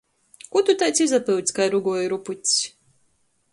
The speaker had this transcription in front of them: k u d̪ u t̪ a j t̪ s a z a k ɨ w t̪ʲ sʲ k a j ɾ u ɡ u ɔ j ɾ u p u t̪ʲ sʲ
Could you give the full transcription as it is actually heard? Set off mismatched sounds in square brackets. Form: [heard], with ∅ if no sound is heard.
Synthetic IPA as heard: k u [t̪] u t̪ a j t̪ s [i] z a [p] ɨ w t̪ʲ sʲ k a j ɾ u ɡ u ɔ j ɾ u p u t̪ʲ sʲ